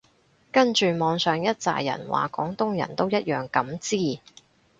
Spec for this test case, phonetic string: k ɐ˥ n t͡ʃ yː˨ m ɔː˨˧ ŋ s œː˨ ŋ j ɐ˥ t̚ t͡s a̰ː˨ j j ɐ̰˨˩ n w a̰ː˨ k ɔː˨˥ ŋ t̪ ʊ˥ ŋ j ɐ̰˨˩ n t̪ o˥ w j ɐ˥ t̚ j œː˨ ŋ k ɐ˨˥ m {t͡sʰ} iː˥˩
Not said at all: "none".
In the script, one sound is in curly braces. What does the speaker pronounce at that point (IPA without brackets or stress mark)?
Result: t͡s